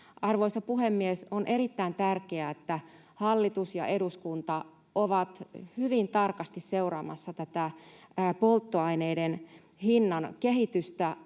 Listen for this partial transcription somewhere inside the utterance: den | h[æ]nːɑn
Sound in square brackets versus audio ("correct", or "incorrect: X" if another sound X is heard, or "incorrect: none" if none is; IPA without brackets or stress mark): incorrect: i